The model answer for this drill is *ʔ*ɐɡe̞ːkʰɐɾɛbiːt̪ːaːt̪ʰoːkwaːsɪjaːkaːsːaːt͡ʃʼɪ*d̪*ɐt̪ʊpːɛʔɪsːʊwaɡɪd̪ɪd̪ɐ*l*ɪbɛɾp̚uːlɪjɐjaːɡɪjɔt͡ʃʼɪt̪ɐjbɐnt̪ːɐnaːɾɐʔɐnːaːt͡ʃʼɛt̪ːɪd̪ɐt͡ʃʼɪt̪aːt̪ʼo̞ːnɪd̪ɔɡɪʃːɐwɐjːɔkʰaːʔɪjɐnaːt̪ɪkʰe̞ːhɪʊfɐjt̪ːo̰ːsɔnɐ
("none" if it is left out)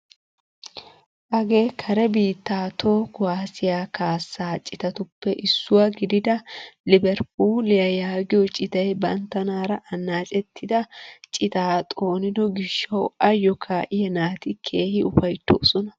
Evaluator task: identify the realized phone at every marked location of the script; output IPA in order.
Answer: ʔ, t̪, l

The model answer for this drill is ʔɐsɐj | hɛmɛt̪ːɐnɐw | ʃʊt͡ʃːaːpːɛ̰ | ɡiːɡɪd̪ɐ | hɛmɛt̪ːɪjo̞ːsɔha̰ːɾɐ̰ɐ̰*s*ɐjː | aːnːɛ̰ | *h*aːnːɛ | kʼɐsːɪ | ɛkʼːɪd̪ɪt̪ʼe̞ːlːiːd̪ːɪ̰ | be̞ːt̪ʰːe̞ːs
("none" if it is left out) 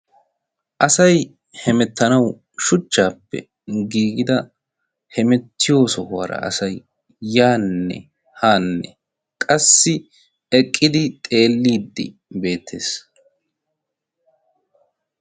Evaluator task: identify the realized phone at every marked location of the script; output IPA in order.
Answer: s, h

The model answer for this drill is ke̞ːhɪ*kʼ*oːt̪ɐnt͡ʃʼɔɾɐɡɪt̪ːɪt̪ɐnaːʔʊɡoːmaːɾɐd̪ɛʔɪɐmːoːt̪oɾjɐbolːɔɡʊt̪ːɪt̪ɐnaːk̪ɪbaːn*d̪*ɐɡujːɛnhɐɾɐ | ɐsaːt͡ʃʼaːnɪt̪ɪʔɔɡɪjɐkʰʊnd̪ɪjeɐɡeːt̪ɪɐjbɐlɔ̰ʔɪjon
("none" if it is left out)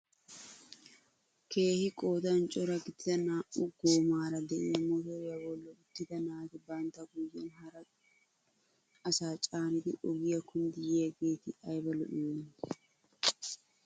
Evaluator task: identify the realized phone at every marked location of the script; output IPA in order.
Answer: kʼ, t̪

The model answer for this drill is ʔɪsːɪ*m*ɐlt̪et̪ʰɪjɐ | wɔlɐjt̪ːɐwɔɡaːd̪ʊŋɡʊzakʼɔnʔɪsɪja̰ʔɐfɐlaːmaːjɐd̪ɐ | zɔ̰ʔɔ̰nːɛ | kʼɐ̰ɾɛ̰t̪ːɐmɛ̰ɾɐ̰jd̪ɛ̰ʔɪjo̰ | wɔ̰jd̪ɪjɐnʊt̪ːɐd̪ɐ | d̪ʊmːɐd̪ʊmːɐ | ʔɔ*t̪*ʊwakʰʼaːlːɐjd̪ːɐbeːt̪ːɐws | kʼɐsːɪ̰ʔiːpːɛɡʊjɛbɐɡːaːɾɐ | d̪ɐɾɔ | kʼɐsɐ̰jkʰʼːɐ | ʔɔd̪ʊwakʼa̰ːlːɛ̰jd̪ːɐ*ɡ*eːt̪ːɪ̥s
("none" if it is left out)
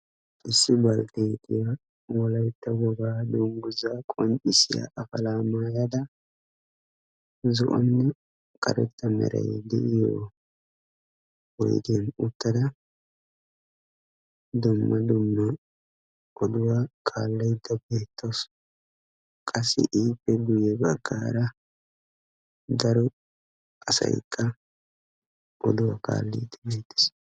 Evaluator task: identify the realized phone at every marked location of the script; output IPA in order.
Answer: b, d̪, b

